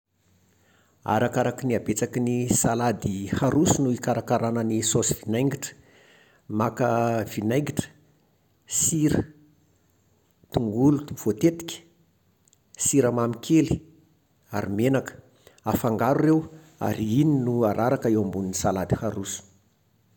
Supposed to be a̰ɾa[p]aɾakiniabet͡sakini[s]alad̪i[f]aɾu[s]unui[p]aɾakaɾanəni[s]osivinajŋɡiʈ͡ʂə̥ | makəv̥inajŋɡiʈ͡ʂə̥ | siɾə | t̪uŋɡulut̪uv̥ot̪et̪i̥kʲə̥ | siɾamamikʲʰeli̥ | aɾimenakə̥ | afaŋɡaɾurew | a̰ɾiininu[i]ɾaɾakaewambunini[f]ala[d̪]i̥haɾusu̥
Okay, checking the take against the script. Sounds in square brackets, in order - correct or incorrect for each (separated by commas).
incorrect, correct, incorrect, correct, incorrect, correct, incorrect, incorrect, correct